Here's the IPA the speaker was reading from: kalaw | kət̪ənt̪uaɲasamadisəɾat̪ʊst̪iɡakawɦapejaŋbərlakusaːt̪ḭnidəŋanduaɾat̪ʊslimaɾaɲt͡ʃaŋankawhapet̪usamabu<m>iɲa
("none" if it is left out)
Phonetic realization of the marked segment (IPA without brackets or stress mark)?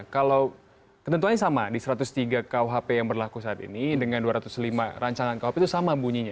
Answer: ɲ